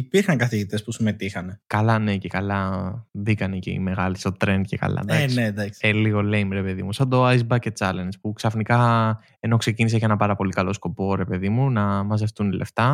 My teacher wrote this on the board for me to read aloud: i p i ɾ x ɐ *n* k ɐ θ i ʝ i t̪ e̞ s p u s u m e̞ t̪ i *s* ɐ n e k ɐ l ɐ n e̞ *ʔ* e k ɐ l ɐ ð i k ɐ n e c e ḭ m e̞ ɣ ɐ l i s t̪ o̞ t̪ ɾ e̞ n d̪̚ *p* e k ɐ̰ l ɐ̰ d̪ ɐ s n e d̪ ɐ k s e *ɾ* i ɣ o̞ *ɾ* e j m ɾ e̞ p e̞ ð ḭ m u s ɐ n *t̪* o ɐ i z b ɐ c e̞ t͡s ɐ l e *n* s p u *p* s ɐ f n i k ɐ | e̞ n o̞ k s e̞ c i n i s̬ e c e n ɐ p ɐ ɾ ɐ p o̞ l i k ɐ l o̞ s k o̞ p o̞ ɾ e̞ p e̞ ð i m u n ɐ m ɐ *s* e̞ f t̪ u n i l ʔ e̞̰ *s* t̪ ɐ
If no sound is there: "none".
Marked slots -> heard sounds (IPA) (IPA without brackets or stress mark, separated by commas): ŋ, x, c, c, l, l, d̪, n, k, z, f